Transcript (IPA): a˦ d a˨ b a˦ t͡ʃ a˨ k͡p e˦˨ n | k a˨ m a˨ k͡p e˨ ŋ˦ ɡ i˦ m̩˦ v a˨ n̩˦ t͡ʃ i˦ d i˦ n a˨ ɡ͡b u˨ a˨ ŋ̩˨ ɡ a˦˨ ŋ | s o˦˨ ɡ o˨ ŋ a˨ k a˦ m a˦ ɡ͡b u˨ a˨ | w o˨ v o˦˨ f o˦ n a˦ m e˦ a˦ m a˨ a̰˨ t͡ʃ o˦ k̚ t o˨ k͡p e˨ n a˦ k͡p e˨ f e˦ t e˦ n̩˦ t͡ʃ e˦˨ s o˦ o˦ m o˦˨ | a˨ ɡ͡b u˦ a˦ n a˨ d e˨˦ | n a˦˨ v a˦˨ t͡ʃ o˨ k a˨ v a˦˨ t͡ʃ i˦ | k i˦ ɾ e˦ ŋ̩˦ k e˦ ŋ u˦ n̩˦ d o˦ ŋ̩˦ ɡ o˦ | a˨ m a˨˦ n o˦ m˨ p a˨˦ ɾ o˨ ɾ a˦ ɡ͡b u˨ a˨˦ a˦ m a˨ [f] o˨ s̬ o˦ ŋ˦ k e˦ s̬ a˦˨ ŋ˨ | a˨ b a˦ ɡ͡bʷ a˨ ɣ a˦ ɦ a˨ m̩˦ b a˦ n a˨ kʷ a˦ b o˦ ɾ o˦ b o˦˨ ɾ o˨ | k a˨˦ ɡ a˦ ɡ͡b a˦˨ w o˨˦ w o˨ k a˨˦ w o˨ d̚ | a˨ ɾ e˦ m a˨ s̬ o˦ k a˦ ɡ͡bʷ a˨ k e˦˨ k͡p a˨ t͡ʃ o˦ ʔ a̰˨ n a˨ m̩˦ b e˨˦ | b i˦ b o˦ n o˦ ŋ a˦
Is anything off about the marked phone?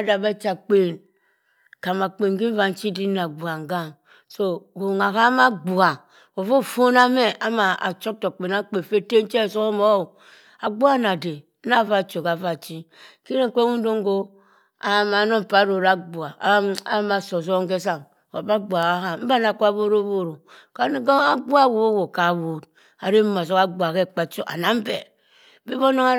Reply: yes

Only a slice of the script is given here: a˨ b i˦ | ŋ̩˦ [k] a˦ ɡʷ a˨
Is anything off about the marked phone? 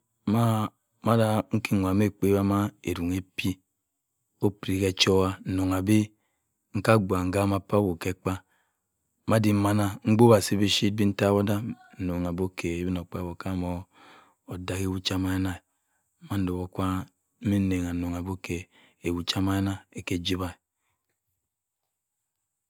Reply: no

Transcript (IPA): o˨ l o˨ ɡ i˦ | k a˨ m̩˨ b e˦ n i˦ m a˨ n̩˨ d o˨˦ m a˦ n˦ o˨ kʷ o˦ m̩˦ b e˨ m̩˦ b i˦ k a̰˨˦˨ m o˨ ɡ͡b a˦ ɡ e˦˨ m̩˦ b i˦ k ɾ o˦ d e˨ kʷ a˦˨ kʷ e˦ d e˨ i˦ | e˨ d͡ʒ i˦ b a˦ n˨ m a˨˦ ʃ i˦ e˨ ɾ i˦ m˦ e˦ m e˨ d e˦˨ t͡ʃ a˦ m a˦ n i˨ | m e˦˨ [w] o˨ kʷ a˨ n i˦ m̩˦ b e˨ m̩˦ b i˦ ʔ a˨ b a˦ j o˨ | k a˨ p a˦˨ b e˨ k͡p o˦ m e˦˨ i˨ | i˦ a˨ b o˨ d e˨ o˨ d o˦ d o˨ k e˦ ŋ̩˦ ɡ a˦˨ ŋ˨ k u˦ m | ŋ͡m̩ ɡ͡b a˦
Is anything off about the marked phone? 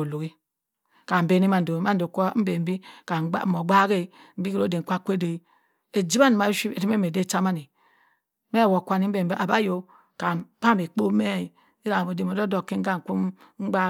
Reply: no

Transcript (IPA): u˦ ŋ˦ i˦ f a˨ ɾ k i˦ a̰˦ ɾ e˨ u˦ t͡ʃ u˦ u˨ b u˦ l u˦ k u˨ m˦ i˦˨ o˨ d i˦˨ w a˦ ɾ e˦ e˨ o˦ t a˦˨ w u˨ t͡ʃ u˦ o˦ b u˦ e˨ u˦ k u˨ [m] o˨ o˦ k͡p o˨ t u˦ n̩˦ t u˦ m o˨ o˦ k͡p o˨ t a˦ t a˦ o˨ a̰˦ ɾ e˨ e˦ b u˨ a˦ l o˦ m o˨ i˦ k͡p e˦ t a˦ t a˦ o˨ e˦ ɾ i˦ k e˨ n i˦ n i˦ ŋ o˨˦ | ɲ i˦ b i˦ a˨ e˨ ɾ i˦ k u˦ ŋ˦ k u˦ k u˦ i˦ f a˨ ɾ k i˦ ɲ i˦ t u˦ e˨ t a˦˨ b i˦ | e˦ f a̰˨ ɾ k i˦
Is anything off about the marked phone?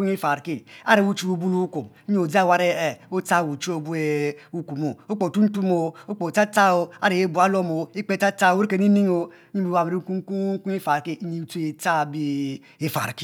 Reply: no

